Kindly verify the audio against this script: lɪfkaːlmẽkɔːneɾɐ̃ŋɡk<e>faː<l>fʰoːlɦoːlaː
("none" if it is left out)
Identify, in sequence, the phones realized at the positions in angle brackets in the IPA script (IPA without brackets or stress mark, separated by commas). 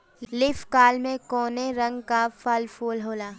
a, l